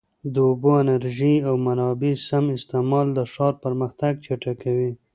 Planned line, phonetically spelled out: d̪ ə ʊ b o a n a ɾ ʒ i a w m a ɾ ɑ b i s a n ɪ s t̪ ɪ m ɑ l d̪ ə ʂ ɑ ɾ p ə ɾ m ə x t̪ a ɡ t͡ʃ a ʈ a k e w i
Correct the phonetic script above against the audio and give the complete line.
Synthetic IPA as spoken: d̪ ə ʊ b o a n a ɾ ʒ i a w m a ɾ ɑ b i s a m ɪ s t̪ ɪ m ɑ l d̪ ə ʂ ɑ ɾ p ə ɾ m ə x t̪ a ɡ t͡ʃ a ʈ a k a w i